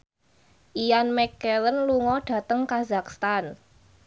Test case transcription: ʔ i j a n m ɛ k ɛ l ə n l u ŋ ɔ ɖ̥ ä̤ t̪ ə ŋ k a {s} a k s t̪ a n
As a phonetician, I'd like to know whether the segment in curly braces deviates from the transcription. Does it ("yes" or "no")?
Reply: yes